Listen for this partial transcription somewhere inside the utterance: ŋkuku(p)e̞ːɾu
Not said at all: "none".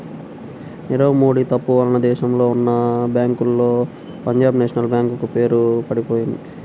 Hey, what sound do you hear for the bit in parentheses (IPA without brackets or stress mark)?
p